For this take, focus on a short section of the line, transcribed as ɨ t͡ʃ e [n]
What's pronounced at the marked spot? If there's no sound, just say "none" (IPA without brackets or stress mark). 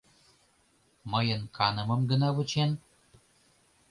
n